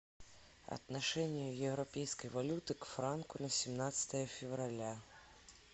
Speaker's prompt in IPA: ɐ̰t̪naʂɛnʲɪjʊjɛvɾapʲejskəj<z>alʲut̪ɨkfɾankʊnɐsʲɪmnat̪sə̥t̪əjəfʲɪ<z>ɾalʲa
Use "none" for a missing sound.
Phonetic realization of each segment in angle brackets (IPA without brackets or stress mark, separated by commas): v, v